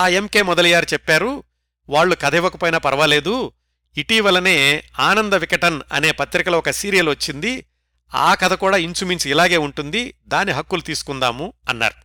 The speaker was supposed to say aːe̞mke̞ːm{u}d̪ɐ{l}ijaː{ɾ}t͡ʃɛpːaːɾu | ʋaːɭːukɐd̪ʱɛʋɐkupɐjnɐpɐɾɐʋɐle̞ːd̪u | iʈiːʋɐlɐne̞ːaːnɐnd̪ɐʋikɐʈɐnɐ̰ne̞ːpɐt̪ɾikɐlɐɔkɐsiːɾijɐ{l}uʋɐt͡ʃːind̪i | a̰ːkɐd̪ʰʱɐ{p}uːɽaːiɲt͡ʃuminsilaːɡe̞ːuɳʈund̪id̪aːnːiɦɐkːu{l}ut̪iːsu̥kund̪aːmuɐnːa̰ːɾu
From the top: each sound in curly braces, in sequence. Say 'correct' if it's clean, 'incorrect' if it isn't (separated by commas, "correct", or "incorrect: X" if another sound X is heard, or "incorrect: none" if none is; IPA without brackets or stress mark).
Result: incorrect: ɔ, correct, correct, correct, incorrect: k, correct